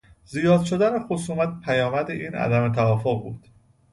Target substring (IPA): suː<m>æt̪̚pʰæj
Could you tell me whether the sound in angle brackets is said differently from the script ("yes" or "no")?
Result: no